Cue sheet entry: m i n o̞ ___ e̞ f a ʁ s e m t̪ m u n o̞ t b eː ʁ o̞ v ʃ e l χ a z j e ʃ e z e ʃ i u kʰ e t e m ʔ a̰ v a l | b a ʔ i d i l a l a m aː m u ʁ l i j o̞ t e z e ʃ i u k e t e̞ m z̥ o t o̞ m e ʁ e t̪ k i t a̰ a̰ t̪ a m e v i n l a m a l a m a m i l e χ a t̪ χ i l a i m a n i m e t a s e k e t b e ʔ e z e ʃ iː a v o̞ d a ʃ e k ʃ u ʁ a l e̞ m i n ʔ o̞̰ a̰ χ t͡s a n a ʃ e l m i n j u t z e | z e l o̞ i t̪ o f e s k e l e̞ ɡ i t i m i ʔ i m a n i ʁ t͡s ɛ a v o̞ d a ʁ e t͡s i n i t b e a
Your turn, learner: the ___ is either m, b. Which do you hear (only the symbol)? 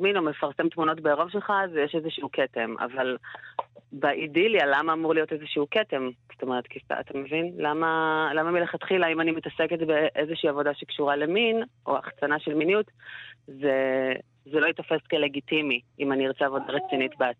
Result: m